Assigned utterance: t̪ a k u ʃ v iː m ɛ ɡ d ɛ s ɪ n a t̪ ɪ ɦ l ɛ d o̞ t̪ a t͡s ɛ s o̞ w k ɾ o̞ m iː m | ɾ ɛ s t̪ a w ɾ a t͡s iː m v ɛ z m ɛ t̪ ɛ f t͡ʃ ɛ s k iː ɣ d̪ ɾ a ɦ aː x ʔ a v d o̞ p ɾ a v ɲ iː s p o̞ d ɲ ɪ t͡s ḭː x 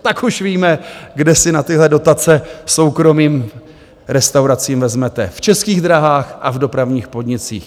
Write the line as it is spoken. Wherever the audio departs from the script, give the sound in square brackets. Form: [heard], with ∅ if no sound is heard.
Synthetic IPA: t̪ a k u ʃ v iː m ɛ ɡ d ɛ s ɪ n a t̪ ɪ ɦ l ɛ d o̞ t̪ a t͡s ɛ s o̞ w k ɾ o̞ m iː m | ɾ ɛ s t̪ a w ɾ a t͡s iː m v ɛ z m ɛ t̪ ɛ f t͡ʃ ɛ s k iː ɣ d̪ ɾ a ɦ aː x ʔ a v d o̞ p ɾ a v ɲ iː [x] p o̞ d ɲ ɪ t͡s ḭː x